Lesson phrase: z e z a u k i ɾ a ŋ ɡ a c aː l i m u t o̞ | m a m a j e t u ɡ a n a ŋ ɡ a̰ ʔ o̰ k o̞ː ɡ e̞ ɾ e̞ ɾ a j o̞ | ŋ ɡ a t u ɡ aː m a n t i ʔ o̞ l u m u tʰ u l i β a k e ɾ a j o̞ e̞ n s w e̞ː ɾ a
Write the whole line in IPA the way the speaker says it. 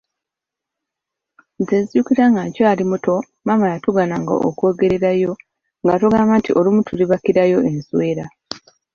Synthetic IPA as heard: z e z i u k i ɾ a ŋ ɡ a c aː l i m u t o̞ | m a m a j a t u ɡ a n a ŋ ɡ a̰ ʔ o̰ k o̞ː ɡ e̞ ɾ e̞ ɾ a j o̞ | ŋ ɡ a t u ɡ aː m a n t i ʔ o̞ l u m u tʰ u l i β a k i ɾ a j o̞ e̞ n s w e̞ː ɾ a